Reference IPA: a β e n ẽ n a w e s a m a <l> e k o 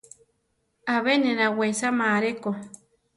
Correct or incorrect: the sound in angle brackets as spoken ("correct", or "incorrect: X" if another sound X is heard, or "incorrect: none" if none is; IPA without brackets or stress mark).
incorrect: ɾ